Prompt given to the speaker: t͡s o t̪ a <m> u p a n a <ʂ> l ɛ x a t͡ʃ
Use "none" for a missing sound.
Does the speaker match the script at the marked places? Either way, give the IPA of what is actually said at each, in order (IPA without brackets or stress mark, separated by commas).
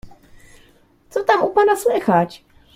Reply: m, s